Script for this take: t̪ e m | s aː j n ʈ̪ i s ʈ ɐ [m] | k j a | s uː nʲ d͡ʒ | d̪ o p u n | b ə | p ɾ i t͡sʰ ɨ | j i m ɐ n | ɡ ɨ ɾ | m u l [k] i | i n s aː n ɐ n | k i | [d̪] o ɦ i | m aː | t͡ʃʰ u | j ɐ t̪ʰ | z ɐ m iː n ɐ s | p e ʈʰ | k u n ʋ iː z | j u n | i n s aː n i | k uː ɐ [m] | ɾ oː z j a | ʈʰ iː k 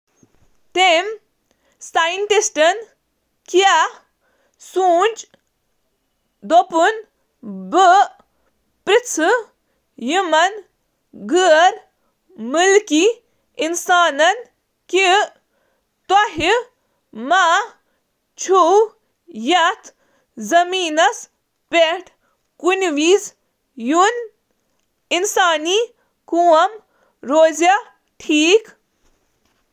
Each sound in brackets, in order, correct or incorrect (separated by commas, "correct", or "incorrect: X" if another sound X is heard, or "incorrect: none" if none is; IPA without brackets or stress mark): incorrect: n, correct, incorrect: t̪, correct